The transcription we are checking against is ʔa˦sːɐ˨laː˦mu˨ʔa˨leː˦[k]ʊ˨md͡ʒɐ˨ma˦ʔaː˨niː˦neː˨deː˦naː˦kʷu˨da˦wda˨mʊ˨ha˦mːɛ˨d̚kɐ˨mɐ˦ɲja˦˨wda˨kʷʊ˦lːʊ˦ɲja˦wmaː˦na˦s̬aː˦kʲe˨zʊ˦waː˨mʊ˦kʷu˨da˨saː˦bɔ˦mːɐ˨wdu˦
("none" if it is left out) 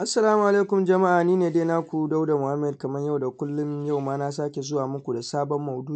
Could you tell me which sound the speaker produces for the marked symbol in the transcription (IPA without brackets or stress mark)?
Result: k